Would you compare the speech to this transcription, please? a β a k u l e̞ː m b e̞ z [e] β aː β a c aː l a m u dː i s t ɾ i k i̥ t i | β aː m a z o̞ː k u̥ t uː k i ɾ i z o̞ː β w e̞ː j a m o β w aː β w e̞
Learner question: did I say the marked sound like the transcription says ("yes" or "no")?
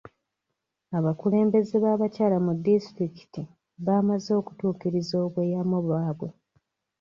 yes